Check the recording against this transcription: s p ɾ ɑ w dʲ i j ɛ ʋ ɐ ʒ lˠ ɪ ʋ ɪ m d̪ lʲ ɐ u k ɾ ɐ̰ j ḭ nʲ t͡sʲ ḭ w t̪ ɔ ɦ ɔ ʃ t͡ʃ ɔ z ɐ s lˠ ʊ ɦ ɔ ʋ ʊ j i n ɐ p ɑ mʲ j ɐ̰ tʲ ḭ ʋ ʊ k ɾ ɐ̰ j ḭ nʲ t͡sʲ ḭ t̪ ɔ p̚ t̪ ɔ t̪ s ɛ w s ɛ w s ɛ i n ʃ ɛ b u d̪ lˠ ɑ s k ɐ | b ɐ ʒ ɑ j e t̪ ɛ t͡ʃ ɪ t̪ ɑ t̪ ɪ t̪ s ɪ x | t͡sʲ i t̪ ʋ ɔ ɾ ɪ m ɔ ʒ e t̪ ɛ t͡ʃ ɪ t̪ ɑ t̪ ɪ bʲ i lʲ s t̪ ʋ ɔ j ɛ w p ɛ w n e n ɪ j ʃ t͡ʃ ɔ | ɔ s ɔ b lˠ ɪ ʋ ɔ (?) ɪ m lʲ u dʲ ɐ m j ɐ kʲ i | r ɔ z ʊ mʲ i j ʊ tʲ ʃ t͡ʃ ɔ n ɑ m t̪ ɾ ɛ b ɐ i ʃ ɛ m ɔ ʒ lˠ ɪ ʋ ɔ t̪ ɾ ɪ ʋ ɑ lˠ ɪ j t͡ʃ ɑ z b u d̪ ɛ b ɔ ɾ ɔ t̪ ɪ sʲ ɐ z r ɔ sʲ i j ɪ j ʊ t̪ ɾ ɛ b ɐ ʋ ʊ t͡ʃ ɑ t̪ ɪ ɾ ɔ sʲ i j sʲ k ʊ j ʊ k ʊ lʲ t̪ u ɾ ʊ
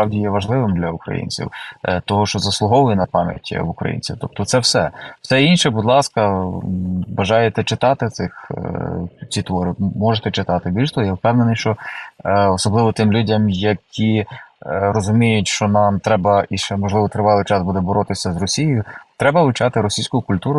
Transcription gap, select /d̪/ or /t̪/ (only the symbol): t̪